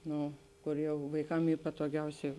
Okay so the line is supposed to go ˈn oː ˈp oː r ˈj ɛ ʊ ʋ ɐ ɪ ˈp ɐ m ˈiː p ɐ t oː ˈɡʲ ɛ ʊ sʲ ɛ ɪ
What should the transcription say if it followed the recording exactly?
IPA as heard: ˈn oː ˈk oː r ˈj ɛ ʊ ʋ ɐ ɪ ˈk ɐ m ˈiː p ɐ t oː ˈɡʲ ɛ ʊ sʲ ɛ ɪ